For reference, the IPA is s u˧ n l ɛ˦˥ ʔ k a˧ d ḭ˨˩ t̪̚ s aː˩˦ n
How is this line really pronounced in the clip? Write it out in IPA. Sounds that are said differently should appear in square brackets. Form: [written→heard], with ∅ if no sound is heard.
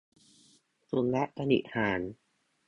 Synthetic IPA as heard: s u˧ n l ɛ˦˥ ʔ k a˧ [d→n] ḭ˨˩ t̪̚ [s→h] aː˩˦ n